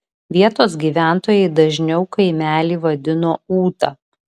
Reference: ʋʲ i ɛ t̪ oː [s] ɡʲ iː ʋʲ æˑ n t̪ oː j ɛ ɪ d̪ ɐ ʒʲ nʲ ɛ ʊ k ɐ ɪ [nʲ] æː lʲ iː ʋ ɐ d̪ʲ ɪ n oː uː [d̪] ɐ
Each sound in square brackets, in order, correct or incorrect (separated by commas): correct, incorrect, incorrect